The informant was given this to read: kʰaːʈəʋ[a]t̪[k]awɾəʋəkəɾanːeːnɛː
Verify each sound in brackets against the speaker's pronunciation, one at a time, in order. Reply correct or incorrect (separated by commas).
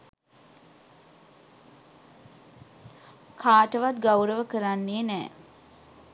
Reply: correct, incorrect